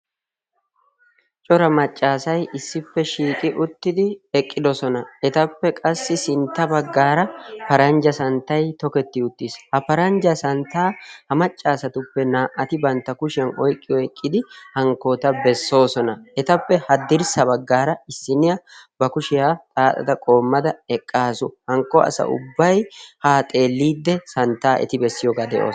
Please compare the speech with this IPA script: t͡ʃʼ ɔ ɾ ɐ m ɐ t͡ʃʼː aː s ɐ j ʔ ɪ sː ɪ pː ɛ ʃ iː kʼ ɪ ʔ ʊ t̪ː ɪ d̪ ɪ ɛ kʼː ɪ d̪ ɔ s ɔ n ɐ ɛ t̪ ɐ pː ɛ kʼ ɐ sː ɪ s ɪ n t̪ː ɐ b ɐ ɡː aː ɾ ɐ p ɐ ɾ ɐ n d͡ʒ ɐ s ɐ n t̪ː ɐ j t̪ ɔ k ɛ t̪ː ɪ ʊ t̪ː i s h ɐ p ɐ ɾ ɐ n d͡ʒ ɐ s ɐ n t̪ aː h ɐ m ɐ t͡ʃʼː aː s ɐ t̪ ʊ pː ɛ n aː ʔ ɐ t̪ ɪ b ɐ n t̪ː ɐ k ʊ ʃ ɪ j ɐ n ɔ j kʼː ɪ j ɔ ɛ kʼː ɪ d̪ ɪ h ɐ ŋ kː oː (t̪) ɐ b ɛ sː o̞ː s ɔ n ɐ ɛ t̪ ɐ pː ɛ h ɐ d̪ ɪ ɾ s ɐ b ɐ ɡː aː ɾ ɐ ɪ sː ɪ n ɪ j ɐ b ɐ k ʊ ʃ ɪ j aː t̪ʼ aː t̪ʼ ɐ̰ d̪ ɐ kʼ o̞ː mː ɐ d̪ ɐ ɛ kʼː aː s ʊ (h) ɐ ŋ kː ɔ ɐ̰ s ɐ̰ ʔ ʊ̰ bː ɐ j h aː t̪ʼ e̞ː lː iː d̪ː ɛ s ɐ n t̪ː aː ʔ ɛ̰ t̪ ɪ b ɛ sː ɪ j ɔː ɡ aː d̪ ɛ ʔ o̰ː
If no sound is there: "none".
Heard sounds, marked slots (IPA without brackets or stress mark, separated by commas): t̪, h